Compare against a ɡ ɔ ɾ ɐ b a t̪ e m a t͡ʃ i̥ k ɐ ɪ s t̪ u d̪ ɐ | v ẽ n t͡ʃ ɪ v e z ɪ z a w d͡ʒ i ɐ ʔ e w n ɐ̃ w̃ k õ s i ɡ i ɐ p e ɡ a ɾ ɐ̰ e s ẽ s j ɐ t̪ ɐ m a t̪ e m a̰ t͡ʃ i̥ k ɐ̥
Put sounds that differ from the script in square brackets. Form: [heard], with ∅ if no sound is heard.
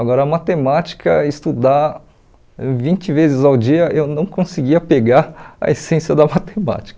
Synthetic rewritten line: a ɡ ɔ ɾ ɐ [m] a t̪ e m a t͡ʃ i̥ k ɐ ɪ s t̪ u d̪ [a] | v [ĩ] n t͡ʃ ɪ v e z ɪ z a w d͡ʒ i ɐ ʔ e w n ɐ̃ w̃ k õ s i ɡ i ɐ p e ɡ a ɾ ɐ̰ e s ẽ s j ɐ [d̪] ɐ m a t̪ e m a̰ t͡ʃ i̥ k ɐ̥